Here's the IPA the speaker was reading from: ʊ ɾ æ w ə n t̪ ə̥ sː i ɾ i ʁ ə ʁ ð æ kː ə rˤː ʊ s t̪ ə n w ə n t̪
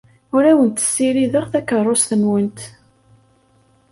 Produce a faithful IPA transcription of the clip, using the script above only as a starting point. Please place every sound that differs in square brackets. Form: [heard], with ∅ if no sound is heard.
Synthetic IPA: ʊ ɾ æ w ə n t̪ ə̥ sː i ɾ i [ð] ə ʁ [θ] æ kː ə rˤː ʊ s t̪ ə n w ə n t̪